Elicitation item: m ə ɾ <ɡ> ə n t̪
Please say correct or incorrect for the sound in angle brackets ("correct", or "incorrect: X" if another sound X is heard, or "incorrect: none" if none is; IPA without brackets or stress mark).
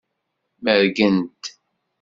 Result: correct